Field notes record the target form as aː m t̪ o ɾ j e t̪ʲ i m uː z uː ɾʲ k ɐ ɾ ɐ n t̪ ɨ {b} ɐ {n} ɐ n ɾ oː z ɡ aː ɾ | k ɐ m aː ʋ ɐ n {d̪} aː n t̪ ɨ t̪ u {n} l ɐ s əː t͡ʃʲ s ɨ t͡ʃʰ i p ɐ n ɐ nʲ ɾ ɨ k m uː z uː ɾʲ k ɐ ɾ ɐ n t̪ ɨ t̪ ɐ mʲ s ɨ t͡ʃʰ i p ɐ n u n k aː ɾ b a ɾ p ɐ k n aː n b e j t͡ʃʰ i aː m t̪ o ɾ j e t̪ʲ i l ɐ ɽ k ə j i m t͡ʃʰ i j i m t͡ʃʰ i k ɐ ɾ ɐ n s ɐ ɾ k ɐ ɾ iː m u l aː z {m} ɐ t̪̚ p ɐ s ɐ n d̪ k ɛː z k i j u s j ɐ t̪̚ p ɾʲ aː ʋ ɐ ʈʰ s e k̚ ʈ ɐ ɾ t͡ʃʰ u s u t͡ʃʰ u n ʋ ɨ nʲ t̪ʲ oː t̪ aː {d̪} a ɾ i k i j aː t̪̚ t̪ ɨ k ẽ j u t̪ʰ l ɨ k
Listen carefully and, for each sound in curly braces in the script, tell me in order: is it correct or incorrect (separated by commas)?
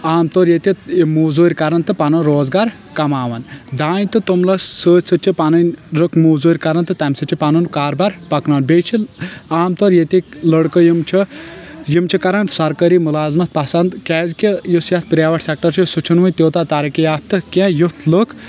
incorrect, correct, correct, incorrect, correct, incorrect